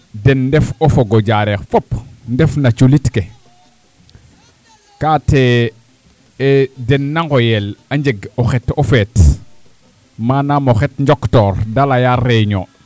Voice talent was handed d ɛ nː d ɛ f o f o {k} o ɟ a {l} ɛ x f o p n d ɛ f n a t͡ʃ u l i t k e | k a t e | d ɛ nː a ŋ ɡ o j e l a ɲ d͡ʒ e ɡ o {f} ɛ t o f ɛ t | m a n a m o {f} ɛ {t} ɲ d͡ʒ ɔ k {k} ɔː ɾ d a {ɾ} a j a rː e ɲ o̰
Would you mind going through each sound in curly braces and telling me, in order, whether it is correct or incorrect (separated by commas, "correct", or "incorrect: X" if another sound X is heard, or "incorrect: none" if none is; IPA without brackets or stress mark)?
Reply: incorrect: ɡ, incorrect: ɾ, incorrect: x, incorrect: x, correct, incorrect: t, incorrect: l